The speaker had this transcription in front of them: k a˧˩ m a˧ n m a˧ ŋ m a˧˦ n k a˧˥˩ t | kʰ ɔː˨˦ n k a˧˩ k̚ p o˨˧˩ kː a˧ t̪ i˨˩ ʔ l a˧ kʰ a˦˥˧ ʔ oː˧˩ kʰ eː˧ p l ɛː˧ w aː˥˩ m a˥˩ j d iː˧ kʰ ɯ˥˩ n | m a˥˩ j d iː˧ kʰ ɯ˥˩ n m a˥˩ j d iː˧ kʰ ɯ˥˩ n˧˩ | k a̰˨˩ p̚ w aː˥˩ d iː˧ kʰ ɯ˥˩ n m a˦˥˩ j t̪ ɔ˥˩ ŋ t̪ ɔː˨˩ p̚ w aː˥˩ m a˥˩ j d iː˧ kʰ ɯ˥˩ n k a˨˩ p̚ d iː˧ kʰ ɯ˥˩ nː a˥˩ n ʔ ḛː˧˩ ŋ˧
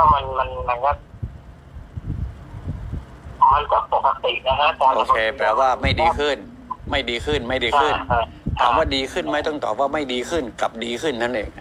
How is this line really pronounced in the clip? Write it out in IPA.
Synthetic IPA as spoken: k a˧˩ m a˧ n m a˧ n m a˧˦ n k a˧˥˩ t | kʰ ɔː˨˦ n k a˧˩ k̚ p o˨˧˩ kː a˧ t̪ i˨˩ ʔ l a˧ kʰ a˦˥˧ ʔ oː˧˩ kʰ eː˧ p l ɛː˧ w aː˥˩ m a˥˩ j d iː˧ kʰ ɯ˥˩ n | m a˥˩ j d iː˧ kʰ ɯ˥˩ n m a˥˩ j d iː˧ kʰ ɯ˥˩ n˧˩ | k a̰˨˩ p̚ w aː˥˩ d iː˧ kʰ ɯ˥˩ n m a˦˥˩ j t̪ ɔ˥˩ ŋ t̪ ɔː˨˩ p̚ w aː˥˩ m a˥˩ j d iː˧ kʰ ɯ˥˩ n k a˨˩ p̚ d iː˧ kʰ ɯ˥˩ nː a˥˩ n ʔ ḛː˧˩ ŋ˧